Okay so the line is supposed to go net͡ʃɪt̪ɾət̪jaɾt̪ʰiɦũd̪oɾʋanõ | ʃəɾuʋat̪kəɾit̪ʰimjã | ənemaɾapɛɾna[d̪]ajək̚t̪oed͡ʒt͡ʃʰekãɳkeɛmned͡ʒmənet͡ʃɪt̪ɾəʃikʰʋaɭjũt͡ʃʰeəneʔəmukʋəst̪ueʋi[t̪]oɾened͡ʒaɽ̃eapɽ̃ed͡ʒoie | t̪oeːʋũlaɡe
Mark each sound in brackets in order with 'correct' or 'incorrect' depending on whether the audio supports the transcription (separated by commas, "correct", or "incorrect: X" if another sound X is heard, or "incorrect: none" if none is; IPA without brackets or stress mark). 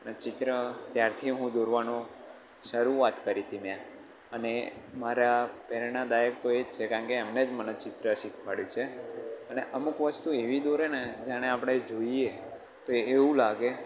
correct, incorrect: d̪